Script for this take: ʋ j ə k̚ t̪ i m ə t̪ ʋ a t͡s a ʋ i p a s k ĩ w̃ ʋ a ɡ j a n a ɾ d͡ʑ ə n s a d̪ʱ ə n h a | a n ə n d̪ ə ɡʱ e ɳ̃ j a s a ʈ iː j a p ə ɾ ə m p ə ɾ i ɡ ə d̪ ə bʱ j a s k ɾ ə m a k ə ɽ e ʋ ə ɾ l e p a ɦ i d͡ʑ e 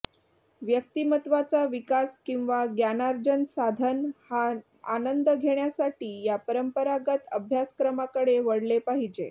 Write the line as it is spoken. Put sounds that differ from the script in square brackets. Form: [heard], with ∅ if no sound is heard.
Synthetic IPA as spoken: ʋ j ə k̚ t̪ i m ə t̪ ʋ a t͡s a ʋ i [k] a s k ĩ w̃ ʋ a ɡ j a n a ɾ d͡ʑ ə n s a d̪ʱ ə n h a | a n ə n d̪ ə ɡʱ e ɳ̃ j a s a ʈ iː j a p ə ɾ ə m p ə ɾ [a] ɡ ə [t̪] ə bʱ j a s k ɾ ə m a k ə ɽ e ʋ ə [ɽ] l e p a ɦ i d͡ʑ e